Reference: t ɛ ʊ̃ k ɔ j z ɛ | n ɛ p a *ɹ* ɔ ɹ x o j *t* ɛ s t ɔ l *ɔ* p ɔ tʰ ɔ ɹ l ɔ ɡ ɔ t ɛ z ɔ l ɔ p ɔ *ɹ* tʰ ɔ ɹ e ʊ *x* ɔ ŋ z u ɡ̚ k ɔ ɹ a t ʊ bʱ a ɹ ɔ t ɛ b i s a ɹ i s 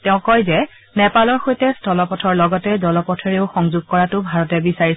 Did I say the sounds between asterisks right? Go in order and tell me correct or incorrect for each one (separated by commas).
incorrect, correct, correct, incorrect, correct